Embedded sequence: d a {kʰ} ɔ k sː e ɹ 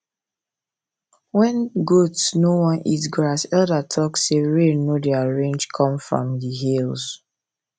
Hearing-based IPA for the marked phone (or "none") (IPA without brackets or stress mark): tʰ